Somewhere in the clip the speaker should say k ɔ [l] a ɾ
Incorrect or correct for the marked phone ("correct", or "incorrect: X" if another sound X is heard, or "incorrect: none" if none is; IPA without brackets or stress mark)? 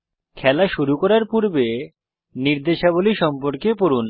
incorrect: ɾ